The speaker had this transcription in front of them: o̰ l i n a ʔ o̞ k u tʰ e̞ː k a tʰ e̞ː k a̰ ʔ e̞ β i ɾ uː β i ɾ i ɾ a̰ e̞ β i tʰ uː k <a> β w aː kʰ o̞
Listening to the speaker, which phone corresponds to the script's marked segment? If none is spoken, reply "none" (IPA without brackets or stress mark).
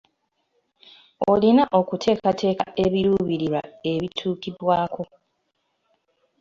i